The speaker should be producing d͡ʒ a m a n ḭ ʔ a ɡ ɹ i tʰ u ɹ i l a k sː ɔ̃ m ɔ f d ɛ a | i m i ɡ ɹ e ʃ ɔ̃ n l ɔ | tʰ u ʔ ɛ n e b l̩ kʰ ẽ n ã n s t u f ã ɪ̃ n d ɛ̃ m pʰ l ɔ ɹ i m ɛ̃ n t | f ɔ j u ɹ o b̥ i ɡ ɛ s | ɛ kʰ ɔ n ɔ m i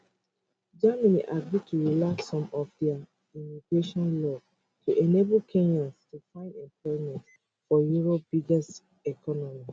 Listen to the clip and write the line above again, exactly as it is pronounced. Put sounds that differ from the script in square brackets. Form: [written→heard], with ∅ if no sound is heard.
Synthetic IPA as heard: d͡ʒ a m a n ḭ ʔ a ɡ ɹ i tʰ u ɹ i l a k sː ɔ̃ m ɔ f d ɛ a | i m i ɡ ɹ e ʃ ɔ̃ n l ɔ | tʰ u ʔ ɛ n e b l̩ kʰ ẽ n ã n s t u f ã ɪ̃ n d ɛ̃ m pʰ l ɔ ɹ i m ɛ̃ n t | f ɔ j u ɹ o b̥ i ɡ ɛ s | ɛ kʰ ɔ n ɔ m i